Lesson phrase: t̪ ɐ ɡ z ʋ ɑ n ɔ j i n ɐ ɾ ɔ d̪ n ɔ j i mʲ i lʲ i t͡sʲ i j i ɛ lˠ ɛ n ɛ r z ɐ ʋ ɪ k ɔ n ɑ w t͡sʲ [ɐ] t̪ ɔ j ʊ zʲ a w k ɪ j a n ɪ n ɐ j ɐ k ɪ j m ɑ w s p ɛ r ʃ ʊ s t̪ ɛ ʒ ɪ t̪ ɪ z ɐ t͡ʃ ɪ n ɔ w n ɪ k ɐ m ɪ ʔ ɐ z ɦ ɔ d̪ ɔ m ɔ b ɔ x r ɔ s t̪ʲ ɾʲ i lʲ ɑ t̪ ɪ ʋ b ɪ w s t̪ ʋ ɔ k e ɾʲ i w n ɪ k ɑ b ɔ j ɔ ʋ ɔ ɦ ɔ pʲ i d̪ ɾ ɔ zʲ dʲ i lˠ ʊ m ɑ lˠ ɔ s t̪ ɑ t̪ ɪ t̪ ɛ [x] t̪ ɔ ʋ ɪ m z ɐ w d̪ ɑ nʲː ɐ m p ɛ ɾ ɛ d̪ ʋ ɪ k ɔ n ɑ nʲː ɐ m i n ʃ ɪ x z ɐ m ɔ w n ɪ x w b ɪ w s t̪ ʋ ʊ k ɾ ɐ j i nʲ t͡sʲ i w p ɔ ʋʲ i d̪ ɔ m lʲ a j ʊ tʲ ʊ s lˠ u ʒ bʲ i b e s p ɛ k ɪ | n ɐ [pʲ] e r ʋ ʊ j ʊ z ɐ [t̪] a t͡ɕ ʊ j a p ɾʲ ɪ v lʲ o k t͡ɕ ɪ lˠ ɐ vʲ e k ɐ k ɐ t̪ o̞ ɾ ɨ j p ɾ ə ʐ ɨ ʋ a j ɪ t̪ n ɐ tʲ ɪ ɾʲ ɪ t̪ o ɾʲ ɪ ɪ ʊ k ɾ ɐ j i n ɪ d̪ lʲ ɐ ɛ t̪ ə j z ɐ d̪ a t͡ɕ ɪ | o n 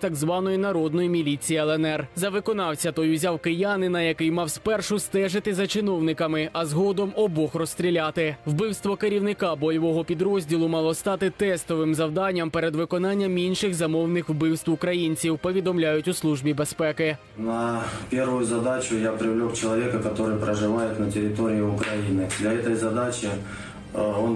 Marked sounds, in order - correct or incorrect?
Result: correct, incorrect: s, correct, incorrect: d̪

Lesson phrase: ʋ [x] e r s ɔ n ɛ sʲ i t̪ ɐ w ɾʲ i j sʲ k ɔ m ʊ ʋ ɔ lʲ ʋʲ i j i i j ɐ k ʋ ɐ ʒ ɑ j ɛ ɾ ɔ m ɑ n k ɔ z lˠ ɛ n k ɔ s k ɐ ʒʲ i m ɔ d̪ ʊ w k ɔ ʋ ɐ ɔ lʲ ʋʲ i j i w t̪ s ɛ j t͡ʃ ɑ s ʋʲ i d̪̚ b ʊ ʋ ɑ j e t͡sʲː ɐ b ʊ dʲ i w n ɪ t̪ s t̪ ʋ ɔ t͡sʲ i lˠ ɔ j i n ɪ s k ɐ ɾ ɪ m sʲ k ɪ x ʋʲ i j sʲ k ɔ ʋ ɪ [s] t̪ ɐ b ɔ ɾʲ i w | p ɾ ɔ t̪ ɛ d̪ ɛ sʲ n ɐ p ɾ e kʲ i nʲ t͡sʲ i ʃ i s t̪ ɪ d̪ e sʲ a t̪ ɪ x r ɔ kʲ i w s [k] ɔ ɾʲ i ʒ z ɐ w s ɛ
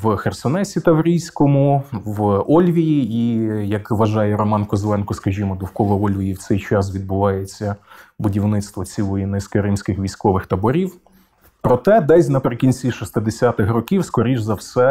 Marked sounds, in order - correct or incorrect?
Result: correct, incorrect: x, correct

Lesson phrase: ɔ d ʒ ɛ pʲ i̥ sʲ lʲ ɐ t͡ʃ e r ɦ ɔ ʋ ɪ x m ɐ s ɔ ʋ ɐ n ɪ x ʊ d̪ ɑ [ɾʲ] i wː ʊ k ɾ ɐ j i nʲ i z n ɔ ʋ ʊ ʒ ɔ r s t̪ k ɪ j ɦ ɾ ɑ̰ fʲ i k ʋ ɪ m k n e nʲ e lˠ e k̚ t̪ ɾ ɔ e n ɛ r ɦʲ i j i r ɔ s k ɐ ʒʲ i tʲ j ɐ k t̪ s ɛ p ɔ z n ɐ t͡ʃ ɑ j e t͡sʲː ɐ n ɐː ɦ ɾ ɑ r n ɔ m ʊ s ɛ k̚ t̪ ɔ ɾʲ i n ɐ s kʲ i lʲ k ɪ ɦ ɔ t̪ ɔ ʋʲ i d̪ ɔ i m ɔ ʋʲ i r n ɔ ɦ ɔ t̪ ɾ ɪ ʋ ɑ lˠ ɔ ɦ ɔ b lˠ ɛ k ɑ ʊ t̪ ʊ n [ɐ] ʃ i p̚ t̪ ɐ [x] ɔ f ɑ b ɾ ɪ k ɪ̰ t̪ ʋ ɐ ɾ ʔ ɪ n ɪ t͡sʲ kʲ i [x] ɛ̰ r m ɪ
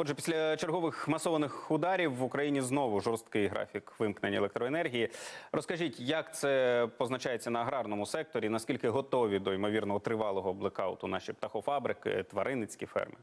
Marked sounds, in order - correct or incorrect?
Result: correct, incorrect: ɑ, correct, incorrect: f

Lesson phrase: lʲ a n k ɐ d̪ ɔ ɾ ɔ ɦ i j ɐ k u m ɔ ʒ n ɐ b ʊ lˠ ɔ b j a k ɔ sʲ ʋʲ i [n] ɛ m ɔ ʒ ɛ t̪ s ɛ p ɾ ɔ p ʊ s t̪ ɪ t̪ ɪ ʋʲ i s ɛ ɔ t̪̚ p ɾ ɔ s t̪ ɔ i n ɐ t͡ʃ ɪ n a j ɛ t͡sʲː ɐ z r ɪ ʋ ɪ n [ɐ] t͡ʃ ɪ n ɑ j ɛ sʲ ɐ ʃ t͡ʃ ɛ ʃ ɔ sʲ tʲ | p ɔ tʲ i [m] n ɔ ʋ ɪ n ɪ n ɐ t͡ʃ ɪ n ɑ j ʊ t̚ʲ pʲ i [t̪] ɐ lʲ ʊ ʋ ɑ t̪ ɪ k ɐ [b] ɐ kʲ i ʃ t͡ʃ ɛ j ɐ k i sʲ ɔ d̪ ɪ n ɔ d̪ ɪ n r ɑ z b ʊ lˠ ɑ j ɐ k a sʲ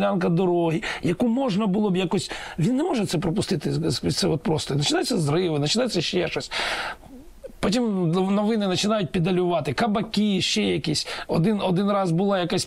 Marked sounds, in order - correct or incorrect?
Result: incorrect: nː, correct, correct, incorrect: d̪, correct

